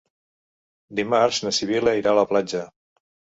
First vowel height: high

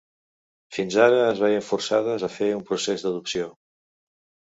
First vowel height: high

